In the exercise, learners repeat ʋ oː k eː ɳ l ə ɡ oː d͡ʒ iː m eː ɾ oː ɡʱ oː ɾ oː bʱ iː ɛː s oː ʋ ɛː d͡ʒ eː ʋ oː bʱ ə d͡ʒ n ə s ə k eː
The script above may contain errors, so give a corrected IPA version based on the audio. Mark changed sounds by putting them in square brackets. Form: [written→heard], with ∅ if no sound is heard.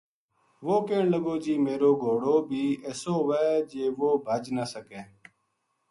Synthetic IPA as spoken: ʋ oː k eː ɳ l ə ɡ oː d͡ʒ iː m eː ɾ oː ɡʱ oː [ɾ→ɽ] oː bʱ iː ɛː s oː ʋ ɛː d͡ʒ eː ʋ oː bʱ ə d͡ʒ n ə s ə k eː